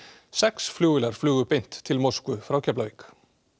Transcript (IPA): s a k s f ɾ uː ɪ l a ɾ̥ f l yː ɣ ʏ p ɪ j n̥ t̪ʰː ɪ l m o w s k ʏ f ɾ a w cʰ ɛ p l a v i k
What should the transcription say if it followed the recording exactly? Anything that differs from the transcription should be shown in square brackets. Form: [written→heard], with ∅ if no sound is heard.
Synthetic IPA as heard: s [a→ɛ] k s f [ɾ→l] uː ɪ l a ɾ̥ f l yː ɣ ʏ p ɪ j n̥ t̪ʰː ɪ l m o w s k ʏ f ɾ a w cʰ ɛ p l a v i k